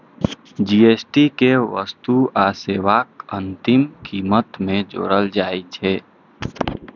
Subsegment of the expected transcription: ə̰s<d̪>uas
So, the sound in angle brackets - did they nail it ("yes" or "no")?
no